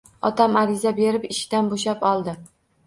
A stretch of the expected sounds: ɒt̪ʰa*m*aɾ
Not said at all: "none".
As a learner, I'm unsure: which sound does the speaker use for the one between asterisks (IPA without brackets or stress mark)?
m